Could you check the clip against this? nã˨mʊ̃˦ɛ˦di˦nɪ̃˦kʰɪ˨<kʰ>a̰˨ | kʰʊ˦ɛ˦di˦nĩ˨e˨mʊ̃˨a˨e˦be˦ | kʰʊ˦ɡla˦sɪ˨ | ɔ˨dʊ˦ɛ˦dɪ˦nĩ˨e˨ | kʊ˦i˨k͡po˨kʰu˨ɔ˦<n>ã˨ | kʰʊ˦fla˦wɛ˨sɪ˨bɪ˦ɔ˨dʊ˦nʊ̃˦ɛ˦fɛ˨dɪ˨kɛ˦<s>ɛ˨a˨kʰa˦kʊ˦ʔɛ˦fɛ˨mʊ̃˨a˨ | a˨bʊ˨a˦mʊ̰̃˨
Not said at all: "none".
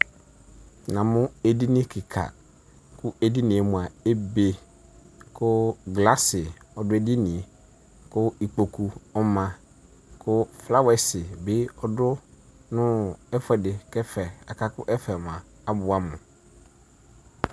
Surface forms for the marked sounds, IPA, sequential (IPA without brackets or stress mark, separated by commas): kʰ, m, f